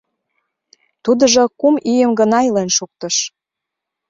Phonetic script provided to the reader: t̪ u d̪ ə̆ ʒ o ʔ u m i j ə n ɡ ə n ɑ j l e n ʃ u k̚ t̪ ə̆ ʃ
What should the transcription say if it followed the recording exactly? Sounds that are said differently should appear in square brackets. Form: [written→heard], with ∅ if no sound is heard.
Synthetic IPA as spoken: t̪ u d̪ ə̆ ʒ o [ʔ→k] u m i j ə [n→m] ɡ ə n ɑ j l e n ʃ u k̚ t̪ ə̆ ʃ